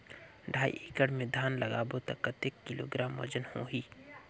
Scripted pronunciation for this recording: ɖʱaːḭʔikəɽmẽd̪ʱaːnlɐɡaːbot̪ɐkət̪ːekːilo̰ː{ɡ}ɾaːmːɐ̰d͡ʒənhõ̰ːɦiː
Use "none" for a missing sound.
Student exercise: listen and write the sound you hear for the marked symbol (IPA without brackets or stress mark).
ɡ